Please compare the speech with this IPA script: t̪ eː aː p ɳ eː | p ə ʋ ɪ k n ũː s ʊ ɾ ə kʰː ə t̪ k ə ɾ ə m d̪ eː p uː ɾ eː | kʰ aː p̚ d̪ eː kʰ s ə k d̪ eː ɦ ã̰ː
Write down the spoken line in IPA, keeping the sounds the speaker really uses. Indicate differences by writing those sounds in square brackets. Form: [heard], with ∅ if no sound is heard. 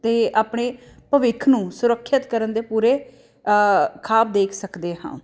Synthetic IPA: t̪ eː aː p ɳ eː | p ə ʋ ɪ [kʰ] n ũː s ʊ ɾ ə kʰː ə t̪ k ə ɾ ə [n] d̪ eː p uː ɾ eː | kʰ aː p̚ d̪ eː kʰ s ə k d̪ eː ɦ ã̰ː